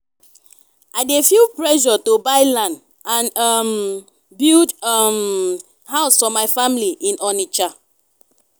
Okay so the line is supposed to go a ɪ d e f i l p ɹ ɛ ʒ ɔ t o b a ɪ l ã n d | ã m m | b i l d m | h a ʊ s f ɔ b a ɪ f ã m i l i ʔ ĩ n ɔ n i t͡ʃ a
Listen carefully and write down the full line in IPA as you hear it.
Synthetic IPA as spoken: a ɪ d e f i l p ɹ ɛ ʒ ɔ t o b a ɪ l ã n d | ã n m | b i l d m | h a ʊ s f ɔ m a ɪ f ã m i l i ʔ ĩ n ɔ n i t͡ʃ a